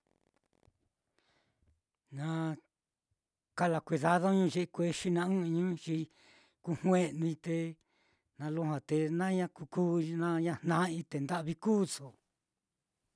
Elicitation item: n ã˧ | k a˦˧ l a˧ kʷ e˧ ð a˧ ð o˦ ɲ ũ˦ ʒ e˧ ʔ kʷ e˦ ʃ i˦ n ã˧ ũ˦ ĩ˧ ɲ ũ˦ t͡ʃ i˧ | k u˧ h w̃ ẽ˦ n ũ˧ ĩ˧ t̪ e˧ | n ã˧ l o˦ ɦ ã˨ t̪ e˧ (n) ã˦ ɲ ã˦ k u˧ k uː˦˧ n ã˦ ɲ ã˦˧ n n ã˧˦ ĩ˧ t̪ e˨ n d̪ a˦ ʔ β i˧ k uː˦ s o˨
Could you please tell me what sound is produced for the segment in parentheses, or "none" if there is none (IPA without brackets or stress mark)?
n